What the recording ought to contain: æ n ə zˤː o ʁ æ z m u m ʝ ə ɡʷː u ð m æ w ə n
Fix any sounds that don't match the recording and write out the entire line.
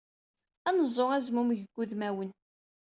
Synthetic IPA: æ n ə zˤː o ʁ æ z m u m ʝ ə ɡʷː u ð m æ w ə n